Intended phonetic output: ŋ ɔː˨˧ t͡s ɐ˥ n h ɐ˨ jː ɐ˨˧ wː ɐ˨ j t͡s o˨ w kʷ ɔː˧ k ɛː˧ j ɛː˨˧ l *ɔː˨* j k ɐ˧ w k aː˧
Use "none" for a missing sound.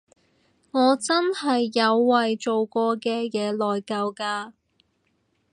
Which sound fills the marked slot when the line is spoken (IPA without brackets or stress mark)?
ɔː˨